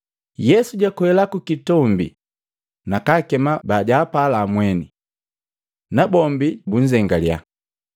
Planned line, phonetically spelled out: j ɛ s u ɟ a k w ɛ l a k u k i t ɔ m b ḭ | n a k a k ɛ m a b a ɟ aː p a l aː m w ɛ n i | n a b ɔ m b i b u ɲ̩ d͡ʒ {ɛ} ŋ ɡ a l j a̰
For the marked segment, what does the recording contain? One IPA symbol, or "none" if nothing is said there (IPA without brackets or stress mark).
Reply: ɛ